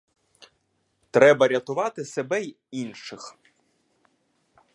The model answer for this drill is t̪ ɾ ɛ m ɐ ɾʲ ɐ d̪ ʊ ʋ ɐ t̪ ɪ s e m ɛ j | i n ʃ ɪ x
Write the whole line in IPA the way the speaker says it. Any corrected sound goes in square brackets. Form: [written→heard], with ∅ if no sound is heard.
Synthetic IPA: t̪ ɾ ɛ [m→b] ɐ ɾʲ ɐ [d̪→t̪] ʊ ʋ [ɐ→ɑ] t̪ ɪ s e [m→b] ɛ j | i n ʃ ɪ x